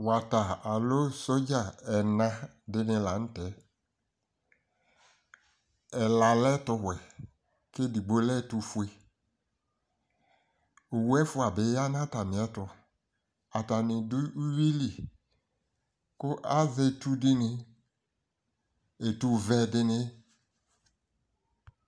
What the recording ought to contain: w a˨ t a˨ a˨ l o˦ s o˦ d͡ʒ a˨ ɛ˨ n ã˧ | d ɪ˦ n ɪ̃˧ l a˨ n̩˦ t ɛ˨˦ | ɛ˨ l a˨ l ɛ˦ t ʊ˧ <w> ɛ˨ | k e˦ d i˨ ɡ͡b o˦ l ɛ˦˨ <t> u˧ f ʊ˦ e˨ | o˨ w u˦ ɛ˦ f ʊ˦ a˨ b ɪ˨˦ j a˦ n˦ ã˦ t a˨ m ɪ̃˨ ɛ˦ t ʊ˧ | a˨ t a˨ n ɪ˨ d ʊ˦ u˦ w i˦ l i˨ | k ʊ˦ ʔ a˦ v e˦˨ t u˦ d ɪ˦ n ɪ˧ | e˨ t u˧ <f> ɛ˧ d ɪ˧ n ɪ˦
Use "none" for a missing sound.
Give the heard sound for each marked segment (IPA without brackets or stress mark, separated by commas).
w, t, v